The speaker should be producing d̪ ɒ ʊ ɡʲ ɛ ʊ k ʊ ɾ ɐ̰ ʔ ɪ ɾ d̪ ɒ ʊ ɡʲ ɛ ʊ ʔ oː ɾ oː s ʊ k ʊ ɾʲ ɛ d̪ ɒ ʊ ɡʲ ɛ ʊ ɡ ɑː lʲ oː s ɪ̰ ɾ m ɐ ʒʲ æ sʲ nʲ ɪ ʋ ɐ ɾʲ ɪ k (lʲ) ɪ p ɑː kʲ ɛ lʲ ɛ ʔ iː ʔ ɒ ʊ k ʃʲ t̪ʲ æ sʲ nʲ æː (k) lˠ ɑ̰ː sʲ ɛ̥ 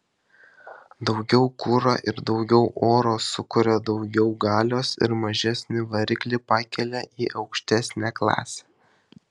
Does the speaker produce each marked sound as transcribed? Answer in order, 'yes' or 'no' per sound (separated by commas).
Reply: yes, yes